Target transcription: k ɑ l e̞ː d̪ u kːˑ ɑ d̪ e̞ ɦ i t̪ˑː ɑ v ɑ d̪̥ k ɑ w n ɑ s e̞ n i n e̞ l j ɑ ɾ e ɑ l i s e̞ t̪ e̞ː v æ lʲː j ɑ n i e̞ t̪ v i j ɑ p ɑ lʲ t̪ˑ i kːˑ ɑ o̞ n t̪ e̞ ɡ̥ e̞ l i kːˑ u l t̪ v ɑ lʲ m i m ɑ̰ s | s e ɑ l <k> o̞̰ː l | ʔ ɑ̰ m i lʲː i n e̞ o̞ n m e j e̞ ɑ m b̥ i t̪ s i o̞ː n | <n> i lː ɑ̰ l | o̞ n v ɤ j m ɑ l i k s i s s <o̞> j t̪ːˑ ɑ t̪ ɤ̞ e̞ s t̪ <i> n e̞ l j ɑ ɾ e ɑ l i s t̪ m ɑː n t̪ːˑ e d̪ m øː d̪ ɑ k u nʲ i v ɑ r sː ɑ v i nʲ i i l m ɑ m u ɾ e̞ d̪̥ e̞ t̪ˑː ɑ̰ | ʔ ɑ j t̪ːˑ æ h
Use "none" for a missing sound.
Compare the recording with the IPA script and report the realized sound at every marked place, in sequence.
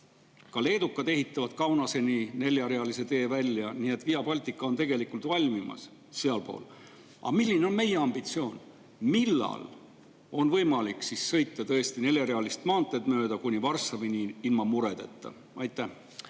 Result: p, m, ɤ̞, i

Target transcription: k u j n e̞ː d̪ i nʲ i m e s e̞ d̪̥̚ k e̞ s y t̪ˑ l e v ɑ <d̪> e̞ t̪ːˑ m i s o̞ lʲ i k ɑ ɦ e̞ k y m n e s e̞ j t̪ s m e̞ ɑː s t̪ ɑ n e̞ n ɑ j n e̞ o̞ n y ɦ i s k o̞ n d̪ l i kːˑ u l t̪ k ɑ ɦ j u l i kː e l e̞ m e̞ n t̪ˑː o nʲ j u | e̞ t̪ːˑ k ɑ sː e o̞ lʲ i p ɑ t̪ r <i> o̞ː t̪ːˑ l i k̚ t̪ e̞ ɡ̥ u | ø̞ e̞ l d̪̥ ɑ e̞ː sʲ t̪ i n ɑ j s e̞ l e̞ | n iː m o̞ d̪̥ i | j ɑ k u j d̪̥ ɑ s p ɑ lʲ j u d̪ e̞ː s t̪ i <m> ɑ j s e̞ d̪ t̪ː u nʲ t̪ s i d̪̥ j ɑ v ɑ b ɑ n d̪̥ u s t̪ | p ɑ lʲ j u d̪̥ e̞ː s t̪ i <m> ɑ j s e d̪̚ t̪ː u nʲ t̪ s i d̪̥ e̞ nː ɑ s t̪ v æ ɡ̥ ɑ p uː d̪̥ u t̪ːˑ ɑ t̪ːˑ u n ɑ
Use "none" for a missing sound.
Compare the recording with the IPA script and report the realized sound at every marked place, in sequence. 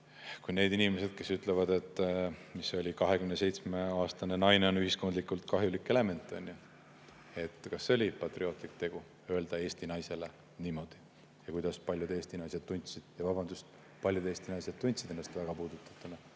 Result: d̪, i, n, n

